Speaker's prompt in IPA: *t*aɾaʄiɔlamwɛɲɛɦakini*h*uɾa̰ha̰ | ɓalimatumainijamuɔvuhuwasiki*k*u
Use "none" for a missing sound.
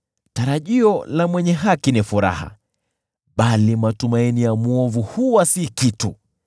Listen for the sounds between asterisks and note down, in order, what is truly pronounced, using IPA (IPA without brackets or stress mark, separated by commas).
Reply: t, f, t